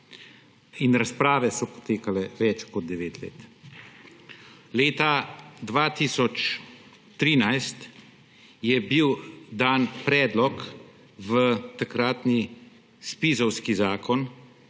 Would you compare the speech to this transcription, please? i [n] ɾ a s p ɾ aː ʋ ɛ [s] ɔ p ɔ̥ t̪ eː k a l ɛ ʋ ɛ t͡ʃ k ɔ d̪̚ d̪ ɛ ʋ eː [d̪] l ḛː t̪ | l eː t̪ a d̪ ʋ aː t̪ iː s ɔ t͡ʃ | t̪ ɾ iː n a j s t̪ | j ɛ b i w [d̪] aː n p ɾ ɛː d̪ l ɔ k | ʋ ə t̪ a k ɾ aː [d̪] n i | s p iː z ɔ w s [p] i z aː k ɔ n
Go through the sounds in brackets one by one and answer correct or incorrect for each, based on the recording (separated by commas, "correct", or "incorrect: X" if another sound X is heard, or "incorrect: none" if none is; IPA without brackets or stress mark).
correct, correct, incorrect: t̪, correct, incorrect: t̪, incorrect: k